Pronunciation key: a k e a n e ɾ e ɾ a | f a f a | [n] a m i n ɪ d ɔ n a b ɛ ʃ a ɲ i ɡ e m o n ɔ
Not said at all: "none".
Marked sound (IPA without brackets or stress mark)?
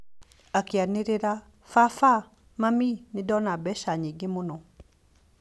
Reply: m